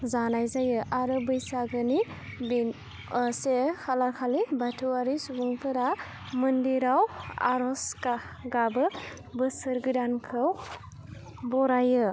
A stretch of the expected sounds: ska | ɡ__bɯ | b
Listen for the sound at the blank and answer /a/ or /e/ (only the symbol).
a